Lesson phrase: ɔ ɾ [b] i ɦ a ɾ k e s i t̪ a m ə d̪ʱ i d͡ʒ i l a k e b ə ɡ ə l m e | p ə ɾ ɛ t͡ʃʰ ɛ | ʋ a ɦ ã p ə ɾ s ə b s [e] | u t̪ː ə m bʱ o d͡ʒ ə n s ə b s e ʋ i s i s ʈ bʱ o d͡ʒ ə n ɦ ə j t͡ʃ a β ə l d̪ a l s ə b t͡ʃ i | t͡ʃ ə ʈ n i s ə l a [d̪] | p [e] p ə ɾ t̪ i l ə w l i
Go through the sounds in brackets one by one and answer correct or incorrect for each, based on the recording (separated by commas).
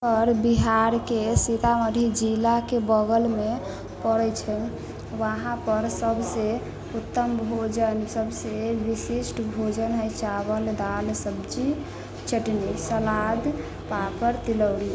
correct, correct, correct, incorrect